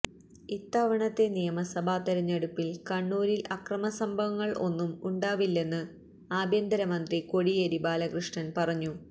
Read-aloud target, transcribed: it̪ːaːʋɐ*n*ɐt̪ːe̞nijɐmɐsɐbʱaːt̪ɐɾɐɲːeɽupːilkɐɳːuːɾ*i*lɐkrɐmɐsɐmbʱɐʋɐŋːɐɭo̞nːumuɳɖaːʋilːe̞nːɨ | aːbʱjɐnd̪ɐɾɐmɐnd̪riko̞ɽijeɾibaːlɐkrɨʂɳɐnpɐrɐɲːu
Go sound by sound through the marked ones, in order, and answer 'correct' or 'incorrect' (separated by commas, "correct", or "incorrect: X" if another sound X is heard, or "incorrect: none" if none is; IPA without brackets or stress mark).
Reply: incorrect: ɳ, correct